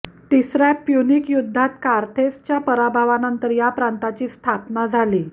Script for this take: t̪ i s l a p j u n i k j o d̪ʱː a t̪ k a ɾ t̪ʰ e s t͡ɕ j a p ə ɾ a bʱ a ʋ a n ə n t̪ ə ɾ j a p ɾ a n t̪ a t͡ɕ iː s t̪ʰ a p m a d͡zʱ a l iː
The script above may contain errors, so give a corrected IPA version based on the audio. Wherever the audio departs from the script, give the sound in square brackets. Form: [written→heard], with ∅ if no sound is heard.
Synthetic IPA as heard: t̪ i s [l→ɾ] a p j u n i k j [o→u] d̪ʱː a t̪ k a ɾ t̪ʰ e s t͡ɕ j a p ə ɾ a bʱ a ʋ a n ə n t̪ ə ɾ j a p ɾ a n t̪ a t͡ɕ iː s t̪ʰ a p [m→n] a d͡zʱ a l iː